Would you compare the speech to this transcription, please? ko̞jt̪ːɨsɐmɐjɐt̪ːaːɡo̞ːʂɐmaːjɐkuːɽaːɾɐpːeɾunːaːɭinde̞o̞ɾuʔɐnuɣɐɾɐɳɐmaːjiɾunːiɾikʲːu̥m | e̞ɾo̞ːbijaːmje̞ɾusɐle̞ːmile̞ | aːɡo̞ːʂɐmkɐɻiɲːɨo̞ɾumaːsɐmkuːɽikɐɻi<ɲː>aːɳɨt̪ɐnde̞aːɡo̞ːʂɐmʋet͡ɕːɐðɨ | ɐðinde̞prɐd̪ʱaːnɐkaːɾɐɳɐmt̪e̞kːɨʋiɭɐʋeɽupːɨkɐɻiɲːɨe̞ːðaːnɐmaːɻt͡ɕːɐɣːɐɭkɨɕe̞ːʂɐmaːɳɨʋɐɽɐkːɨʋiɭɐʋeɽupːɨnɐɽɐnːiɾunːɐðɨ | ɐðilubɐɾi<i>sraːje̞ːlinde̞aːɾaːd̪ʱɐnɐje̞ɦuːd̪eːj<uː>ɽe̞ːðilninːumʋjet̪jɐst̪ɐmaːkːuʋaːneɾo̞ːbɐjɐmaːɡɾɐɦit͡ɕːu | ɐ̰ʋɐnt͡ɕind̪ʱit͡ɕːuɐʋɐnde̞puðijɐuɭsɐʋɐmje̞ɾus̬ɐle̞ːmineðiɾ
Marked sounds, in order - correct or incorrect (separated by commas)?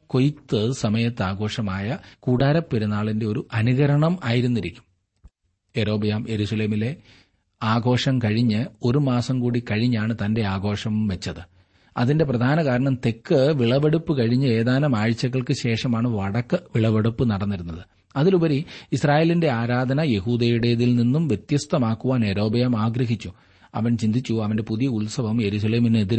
correct, correct, incorrect